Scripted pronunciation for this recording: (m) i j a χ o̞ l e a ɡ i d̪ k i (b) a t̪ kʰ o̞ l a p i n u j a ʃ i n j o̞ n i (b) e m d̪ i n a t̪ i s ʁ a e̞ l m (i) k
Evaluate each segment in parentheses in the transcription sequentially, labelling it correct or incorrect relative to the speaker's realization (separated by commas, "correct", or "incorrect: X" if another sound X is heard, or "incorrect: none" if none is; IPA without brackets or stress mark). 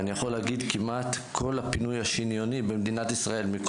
incorrect: n, incorrect: m, correct, correct